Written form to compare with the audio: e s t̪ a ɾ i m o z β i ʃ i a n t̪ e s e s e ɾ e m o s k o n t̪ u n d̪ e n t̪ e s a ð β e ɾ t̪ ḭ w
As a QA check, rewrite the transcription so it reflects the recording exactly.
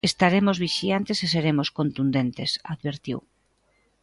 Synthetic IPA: e s t̪ a ɾ e m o z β i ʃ i a n t̪ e s e s e ɾ e m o s k o n t̪ u n d̪ e n t̪ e s a ð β e ɾ t̪ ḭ w